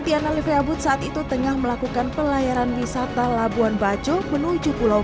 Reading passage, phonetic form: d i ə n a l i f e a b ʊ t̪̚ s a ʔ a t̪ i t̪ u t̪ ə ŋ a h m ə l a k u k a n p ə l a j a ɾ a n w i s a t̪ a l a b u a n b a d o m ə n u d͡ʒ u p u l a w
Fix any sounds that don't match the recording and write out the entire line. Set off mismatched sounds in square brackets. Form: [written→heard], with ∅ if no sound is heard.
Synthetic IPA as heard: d i [ə→a] n a l i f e a b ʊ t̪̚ s a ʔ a t̪ i t̪ u t̪ ə ŋ a h m ə l a k u k a n p ə l a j a ɾ a n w i s a t̪ a l a b u a n b a [d→d͡ʒ] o m ə n u d͡ʒ u p u l a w